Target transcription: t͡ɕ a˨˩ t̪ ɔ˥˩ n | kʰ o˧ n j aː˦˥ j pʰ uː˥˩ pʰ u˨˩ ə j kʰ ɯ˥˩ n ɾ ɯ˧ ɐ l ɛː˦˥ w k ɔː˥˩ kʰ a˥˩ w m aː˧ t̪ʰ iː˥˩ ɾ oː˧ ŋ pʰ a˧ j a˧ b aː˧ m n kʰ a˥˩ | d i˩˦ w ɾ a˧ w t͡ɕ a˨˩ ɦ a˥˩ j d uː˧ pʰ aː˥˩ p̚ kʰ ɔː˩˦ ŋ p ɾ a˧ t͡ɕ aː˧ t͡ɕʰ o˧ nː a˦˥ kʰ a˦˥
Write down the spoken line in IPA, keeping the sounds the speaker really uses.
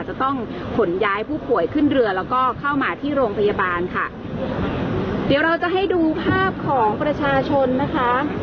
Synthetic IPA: t͡ɕ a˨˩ t̪ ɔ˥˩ ŋ | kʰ o˩˦ n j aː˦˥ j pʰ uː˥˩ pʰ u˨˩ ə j kʰ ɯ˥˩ n ɾ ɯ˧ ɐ l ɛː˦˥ w k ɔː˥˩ kʰ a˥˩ w m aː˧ t̪ʰ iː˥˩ ɾ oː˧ ŋ pʰ a˧ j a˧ b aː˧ n kʰ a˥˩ | d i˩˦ w ɾ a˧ w t͡ɕ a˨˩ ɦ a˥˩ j d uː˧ pʰ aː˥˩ p̚ kʰ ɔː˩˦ ŋ p ɾ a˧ t͡ɕʰ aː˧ t͡ɕʰ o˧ nː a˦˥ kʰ a˦˥